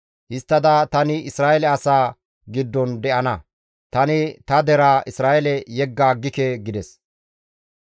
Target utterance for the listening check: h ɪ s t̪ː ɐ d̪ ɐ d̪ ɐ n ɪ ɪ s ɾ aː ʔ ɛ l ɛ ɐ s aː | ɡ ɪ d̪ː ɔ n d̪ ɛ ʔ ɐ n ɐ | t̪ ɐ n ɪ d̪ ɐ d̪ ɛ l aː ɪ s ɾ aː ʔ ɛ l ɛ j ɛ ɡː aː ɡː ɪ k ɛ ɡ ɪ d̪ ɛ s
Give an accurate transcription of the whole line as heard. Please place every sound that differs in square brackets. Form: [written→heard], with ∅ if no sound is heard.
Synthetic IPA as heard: h ɪ s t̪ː ɐ d̪ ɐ [d̪→t̪] ɐ n ɪ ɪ s ɾ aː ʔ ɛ l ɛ ɐ s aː | ɡ ɪ d̪ː ɔ n d̪ ɛ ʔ ɐ n ɐ | t̪ ɐ n ɪ [d̪→t̪] ɐ d̪ ɛ [l→ɾ] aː ɪ s ɾ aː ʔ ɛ l ɛ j ɛ ɡː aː ɡː ɪ k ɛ ɡ ɪ d̪ ɛ s